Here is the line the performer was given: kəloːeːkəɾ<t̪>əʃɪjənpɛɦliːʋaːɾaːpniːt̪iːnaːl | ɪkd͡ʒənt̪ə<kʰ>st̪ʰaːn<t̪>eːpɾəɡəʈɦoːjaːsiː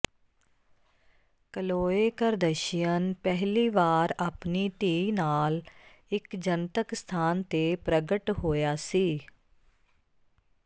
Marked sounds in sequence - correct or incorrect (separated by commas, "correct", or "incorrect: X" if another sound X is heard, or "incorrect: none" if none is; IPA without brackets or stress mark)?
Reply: incorrect: d̪, incorrect: k, correct